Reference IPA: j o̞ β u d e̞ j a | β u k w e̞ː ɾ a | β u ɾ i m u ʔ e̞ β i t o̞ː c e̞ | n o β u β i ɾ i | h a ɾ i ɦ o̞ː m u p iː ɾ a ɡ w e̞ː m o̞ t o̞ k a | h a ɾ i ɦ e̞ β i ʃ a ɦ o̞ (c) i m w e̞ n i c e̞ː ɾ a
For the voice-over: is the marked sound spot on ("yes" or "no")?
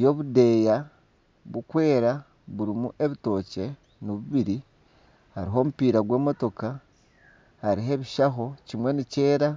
yes